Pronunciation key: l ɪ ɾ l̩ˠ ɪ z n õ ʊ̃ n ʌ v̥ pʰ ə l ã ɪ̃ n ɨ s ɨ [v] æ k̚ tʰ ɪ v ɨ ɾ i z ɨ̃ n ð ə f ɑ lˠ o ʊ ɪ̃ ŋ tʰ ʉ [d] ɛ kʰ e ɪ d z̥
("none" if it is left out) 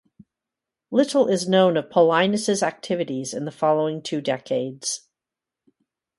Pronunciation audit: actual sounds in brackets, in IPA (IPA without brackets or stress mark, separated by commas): z, d